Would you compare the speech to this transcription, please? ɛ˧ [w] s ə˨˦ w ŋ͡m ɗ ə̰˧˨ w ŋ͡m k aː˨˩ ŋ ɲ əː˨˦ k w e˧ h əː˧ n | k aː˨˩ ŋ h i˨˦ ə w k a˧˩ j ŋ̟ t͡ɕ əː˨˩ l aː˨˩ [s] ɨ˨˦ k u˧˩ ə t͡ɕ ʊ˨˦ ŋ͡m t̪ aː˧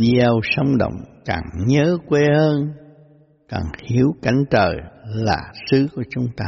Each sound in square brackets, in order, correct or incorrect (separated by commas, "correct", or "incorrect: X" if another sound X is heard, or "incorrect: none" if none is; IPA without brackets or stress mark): correct, correct